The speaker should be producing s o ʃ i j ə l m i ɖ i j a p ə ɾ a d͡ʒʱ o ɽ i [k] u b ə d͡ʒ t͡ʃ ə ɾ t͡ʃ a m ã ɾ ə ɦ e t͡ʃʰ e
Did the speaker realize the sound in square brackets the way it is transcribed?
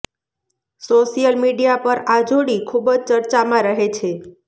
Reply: no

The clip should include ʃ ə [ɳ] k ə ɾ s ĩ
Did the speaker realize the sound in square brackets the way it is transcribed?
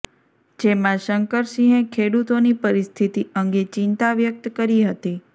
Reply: no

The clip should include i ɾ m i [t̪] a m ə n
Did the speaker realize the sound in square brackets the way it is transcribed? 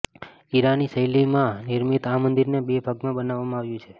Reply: yes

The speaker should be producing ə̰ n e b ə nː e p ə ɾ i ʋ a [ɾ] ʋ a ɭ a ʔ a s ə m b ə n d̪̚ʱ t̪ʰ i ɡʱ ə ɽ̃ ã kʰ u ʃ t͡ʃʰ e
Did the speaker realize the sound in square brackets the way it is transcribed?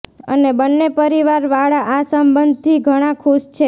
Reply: yes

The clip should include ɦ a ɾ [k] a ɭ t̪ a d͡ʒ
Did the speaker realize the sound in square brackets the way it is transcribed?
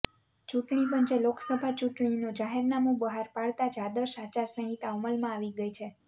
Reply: no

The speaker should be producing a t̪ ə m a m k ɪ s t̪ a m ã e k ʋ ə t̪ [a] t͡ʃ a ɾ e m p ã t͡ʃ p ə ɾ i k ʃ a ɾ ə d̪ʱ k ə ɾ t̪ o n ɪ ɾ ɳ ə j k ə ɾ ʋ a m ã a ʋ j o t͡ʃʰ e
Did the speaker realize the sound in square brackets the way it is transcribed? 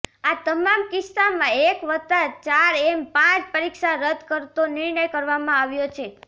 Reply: yes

